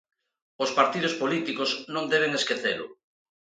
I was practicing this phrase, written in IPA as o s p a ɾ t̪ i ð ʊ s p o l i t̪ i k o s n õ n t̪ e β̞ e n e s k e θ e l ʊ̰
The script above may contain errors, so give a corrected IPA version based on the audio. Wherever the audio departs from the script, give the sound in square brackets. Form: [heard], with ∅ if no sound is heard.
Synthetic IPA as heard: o s p a ɾ t̪ i ð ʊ s p o l i t̪ i k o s n õ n [d̪] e β̞ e [ŋ] e s k e θ e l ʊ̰